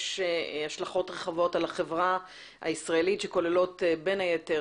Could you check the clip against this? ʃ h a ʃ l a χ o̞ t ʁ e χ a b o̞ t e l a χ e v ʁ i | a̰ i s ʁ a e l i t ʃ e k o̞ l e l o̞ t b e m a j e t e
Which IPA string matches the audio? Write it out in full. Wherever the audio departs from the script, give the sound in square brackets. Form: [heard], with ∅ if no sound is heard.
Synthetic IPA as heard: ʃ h a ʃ l a χ o̞ t ʁ e χ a [v] o̞ t [a] l a χ e v ʁ [a] | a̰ i s ʁ a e l i t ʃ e k o̞ l e l o̞ t b e [n] a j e t e